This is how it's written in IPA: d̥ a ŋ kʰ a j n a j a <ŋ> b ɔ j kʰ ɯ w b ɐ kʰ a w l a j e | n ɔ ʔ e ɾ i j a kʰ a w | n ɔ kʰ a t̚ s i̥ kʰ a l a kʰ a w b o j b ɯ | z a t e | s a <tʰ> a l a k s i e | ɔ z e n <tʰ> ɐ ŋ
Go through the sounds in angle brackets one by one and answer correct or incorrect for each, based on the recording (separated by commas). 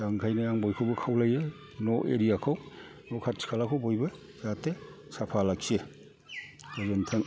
correct, incorrect, correct